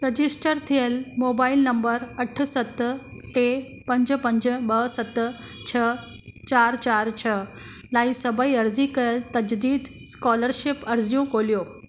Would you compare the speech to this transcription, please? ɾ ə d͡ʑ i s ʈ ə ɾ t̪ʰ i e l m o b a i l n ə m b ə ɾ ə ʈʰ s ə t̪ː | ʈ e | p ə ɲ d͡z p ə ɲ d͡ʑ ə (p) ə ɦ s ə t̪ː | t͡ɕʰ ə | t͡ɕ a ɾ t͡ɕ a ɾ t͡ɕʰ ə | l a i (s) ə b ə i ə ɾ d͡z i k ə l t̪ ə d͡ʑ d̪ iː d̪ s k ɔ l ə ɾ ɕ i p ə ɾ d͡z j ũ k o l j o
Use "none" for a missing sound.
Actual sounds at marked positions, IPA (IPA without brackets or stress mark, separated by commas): b, s